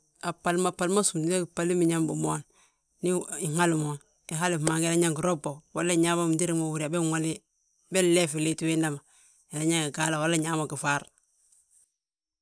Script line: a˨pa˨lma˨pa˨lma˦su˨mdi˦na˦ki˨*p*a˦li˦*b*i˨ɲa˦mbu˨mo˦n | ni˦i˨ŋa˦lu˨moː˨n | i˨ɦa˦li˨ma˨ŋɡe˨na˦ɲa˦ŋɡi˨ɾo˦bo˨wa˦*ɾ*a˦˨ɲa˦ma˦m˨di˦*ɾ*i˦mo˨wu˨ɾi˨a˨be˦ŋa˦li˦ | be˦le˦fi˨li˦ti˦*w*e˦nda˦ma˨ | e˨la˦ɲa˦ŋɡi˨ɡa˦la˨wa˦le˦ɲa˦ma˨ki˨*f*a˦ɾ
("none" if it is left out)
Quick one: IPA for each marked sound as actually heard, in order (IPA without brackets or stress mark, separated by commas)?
p, m, l, ɾ, w, f